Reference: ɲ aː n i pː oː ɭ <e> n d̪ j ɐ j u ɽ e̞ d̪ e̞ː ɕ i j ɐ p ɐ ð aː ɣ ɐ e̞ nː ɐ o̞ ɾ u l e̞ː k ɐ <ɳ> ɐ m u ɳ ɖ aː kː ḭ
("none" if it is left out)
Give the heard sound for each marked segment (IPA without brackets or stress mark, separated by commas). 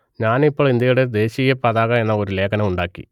i, n